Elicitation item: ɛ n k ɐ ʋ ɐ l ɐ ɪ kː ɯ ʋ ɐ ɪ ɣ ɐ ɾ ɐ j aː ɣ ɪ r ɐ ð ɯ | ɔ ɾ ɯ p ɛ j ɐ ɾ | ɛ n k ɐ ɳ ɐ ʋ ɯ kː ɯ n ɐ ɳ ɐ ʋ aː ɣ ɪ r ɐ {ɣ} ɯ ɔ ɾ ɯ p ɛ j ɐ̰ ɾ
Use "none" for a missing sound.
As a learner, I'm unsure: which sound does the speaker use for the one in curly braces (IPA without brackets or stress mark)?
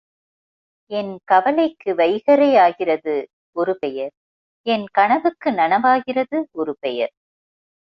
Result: ð